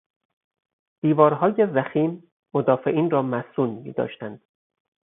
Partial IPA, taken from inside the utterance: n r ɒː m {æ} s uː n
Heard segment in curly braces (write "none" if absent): æ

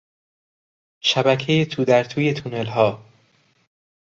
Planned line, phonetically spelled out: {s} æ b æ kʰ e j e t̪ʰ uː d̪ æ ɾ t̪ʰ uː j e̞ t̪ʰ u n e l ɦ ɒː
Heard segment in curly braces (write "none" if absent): ʃ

